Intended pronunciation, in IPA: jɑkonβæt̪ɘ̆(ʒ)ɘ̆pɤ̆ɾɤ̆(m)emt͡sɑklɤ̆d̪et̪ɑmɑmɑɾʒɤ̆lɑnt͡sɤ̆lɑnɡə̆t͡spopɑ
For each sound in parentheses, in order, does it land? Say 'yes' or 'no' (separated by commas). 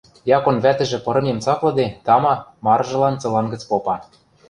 yes, yes